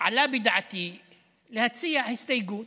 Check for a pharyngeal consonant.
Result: present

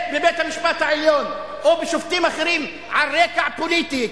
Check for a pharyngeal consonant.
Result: present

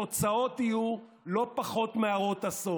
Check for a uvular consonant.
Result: present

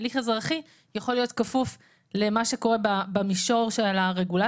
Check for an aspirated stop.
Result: absent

